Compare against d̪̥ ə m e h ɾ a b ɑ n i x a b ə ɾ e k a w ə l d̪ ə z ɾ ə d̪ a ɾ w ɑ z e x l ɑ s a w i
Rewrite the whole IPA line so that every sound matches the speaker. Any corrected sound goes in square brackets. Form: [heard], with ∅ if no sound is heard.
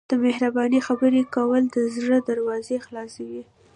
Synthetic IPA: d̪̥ ə m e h ɾ a b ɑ n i x a b ə ɾ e k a w ə l d̪ ə z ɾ ə d̪ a ɾ w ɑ z e x l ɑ s a w i